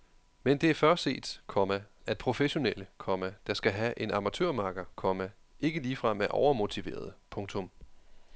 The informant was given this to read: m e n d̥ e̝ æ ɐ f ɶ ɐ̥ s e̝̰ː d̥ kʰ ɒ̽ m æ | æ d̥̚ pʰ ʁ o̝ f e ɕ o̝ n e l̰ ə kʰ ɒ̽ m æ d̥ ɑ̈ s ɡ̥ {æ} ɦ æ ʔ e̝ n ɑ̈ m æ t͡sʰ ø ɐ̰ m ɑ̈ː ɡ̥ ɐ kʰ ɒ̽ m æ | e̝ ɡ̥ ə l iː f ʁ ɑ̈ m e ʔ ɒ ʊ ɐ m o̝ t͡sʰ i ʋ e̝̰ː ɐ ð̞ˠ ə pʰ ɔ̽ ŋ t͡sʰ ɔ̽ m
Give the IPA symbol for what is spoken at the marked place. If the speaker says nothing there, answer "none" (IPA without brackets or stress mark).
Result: æ